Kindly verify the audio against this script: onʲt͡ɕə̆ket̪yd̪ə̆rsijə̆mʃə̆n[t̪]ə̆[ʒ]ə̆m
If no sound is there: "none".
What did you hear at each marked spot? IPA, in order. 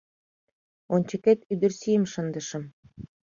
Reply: d̪, ʃ

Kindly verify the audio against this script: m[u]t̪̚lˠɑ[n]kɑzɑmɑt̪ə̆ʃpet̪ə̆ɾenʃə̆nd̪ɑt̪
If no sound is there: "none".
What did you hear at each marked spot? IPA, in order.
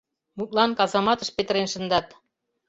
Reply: u, n

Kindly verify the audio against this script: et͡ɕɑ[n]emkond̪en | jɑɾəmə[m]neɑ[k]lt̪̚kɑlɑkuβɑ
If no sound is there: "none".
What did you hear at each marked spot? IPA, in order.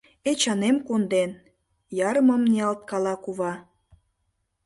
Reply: n, m, none

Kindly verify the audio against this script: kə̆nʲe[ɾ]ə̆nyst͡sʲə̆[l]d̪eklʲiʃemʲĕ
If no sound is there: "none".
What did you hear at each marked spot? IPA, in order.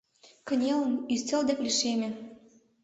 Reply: l, l

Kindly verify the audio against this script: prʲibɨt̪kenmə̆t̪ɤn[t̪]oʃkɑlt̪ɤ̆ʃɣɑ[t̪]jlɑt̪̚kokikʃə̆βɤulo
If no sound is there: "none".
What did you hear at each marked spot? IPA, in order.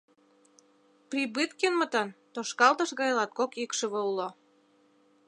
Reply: t̪, none

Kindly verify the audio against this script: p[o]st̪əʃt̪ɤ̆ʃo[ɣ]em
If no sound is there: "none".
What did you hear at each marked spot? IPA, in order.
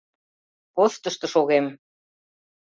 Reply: o, ɣ

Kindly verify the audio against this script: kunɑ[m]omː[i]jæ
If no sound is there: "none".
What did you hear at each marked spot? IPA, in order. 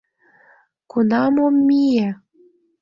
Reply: m, i

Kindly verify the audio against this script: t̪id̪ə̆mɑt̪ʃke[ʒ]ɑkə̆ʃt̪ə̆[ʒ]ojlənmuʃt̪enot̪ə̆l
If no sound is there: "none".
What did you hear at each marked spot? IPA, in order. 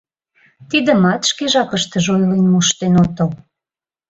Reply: ʒ, ʒ

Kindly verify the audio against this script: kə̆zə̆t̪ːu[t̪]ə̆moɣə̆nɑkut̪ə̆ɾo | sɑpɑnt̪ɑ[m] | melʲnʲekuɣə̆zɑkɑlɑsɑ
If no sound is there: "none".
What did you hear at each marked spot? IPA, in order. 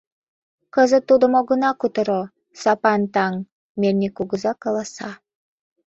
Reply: d̪, ŋ

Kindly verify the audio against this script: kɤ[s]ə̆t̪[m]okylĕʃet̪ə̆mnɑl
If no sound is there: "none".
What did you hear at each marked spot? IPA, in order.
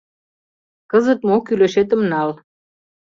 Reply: z, m

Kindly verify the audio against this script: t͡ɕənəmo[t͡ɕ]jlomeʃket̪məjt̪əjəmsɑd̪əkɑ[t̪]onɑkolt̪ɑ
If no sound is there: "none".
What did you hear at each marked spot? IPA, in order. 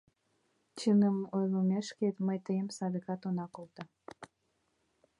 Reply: none, t̪

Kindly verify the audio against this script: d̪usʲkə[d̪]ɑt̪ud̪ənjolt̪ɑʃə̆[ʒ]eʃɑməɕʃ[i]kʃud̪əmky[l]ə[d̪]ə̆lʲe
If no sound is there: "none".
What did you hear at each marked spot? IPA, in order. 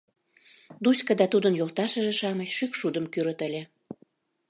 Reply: d̪, ʒ, y, ɾ, t̪

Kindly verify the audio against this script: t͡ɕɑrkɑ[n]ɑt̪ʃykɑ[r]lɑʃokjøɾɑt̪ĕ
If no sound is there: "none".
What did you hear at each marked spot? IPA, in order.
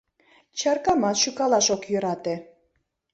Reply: m, none

